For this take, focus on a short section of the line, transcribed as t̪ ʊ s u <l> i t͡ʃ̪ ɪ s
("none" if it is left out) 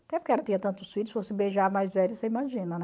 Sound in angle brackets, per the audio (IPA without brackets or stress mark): none